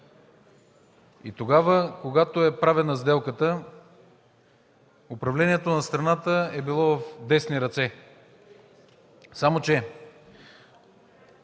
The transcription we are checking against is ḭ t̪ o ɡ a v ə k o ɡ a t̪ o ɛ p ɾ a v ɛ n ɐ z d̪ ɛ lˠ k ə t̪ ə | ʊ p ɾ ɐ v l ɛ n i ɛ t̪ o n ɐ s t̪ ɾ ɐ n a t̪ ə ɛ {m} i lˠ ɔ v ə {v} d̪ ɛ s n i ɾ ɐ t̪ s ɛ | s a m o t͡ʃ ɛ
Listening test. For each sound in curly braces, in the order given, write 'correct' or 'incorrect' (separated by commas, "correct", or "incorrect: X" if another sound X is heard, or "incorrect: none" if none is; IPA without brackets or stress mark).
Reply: incorrect: b, incorrect: f